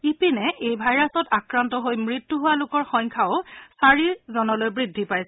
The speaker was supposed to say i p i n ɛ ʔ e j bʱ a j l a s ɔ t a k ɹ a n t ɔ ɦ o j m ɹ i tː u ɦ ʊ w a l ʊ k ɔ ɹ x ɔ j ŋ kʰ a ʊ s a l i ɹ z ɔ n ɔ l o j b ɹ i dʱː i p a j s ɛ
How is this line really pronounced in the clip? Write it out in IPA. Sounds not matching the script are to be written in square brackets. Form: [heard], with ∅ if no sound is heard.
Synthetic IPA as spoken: i p i n ɛ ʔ e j bʱ a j [ɹ] a s ɔ t a k ɹ a n t ɔ ɦ o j m ɹ i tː u ɦ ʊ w a l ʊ k ɔ ɹ x ɔ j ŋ kʰ a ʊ s a [ɹ] i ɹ z ɔ n ɔ l o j b ɹ i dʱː i p a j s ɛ